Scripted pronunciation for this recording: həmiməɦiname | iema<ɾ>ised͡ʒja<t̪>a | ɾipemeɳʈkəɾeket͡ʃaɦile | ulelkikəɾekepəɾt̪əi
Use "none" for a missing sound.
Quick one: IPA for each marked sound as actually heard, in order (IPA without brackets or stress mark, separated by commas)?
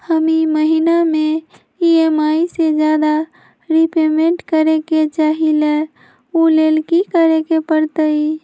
none, d̪